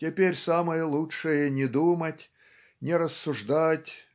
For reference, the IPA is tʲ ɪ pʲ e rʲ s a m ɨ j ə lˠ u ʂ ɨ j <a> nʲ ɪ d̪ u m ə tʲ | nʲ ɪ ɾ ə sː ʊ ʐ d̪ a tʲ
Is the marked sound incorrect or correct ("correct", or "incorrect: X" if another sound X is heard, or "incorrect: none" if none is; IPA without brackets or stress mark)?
incorrect: ə